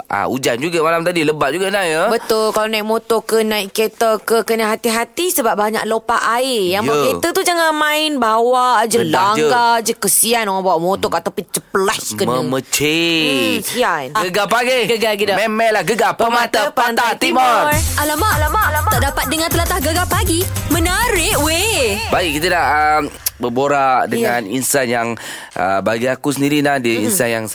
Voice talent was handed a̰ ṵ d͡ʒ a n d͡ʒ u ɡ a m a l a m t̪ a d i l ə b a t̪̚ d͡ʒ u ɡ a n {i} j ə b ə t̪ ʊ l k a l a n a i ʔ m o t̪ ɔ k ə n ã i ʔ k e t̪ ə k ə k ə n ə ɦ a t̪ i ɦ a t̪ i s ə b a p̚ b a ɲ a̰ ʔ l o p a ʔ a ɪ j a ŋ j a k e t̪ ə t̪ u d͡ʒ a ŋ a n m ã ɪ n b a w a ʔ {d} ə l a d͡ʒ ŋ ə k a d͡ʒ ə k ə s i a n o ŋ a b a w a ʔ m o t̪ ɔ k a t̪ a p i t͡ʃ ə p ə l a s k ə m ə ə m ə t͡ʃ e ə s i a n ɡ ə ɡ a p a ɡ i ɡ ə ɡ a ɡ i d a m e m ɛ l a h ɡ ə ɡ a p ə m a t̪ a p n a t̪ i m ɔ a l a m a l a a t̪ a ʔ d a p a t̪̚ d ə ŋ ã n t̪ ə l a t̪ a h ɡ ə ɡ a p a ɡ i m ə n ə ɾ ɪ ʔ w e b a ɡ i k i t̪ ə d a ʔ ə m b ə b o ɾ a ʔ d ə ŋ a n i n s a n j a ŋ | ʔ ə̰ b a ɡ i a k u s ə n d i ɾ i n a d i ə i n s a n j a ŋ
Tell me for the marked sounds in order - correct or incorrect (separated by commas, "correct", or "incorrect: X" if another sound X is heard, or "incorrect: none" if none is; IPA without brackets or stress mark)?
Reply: incorrect: a, incorrect: d͡ʒ